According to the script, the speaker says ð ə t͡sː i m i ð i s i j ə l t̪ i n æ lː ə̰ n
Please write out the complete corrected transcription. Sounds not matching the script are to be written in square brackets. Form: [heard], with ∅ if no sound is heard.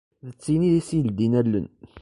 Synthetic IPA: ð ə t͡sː i [n] i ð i s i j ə l [d̪] i n æ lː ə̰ n